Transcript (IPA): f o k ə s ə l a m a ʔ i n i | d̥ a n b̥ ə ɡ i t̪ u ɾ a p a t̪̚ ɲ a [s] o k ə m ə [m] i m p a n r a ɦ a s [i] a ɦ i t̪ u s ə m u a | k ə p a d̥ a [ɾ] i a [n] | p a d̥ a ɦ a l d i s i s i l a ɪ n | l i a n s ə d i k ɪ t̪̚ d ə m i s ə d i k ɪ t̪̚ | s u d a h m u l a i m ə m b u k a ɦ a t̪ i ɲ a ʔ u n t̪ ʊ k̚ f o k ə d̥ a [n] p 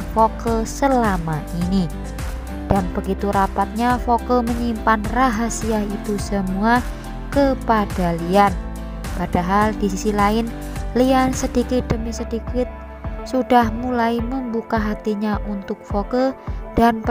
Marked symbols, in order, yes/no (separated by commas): no, no, yes, no, yes, yes